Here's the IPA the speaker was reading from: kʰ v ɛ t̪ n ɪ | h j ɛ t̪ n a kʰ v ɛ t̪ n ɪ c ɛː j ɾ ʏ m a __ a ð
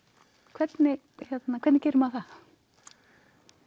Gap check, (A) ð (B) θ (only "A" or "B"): B